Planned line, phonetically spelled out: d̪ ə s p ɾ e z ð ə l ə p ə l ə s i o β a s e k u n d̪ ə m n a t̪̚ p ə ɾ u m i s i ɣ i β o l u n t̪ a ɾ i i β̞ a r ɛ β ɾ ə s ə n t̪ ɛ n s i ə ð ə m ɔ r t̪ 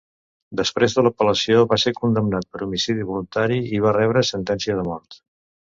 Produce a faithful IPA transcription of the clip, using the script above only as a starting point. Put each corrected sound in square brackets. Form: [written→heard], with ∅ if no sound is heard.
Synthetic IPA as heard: d̪ ə s p ɾ e z ð ə l ə p ə l ə s i o β a s e k u n d̪ ə m n a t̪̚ p ə ɾ u m i s i [ɣ→ð] i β [o→u] l u n t̪ a ɾ i i β̞ a r ɛ β ɾ ə s ə n t̪ ɛ n s i ə ð ə m ɔ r t̪